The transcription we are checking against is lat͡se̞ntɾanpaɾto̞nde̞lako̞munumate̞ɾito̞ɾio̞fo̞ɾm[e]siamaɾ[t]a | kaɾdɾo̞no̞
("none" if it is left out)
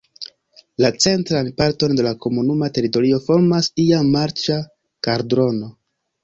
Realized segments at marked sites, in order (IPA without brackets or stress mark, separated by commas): a, t͡ʃ